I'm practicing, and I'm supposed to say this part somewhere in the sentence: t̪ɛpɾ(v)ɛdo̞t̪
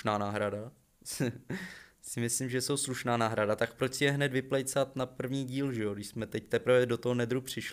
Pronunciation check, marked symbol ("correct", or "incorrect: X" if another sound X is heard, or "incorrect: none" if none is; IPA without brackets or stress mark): correct